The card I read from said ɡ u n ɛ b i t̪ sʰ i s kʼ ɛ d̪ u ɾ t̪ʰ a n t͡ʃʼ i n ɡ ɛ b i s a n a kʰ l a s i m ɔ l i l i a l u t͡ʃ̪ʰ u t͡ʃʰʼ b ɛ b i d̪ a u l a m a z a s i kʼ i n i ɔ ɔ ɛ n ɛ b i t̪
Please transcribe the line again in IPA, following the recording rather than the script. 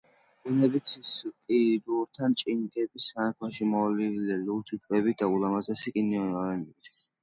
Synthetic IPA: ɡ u n ɛ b i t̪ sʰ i s kʼ i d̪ u ɾ t̪ʰ a n t͡ʃʼ i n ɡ ɛ b i s a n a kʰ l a ʃ i m ɔ l i l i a l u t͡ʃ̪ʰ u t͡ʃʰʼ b ɛ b i d̪ a u l a m a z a s i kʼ i n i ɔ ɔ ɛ n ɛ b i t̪